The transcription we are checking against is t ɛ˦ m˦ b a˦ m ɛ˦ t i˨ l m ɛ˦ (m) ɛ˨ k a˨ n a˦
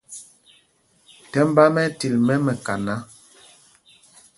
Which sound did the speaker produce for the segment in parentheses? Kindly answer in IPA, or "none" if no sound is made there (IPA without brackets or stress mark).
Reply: m